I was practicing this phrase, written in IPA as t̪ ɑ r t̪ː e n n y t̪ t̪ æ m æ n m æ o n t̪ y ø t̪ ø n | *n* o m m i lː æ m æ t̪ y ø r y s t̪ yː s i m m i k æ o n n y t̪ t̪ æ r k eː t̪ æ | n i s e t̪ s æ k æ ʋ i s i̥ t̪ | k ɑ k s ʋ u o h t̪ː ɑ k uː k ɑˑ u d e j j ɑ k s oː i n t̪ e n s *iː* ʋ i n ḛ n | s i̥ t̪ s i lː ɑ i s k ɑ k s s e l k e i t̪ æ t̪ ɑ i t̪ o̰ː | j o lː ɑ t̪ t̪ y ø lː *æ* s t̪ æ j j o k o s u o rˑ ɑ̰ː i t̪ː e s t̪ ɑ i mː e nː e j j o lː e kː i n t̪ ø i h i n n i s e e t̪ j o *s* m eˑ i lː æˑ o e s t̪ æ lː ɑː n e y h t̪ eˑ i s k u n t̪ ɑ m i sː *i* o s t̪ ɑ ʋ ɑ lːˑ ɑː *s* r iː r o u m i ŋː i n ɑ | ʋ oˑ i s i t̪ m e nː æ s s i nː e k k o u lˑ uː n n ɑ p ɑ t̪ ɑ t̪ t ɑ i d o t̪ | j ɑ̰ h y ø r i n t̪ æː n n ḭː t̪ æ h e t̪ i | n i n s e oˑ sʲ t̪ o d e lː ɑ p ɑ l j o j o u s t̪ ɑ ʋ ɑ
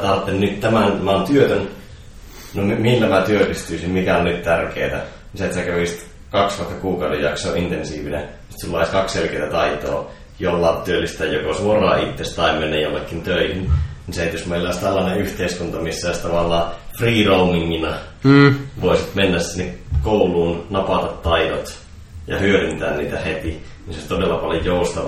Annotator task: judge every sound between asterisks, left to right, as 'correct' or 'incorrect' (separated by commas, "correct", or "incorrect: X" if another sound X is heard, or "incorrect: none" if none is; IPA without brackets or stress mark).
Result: correct, correct, incorrect: i, correct, incorrect: æ, incorrect: f